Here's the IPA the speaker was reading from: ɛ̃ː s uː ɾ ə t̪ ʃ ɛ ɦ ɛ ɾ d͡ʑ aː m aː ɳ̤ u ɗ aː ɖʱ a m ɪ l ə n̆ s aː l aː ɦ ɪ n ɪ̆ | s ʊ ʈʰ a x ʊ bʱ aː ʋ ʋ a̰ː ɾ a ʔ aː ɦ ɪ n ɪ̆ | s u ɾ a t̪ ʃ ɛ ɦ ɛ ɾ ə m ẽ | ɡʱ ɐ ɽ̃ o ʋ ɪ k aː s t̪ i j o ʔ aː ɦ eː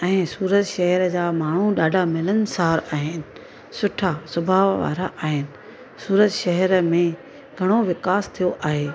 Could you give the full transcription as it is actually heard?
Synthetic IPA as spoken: ɛ̃ː s uː ɾ ə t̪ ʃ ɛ ɦ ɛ ɾ d͡ʑ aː m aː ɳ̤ u ɗ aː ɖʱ a m ɪ l ə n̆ s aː ɾ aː ɦ ɪ n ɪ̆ | s ʊ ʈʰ a s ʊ bʱ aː ʋ ʋ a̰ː ɾ a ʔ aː ɦ ɪ n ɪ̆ | s uː ɾ ə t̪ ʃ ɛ ɦ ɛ ɾ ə m ẽ | ɡʱ ɐ ɽ̃ o ʋ ɪ k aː s t̪ʰ i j o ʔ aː ɦ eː